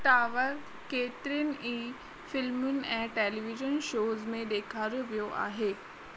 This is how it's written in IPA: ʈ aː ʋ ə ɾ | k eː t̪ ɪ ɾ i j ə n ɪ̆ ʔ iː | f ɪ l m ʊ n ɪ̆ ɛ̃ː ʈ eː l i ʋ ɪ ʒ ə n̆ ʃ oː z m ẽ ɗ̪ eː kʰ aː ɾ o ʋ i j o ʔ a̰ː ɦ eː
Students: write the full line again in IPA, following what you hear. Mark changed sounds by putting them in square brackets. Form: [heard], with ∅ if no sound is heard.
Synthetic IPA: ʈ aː ʋ ə ɾ | k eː t̪ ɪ ɾ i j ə n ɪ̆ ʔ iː | f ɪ l m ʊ n ɪ̆ ɛ̃ː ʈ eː l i ʋ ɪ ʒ ə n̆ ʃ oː z m ẽ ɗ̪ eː kʰ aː ɾ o ʋ i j o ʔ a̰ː ɦ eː